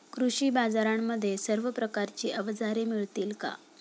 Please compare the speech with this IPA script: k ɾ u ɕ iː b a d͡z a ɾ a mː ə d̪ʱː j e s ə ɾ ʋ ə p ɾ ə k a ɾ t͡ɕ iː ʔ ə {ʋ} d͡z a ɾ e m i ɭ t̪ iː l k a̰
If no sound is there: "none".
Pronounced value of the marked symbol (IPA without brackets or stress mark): ʋ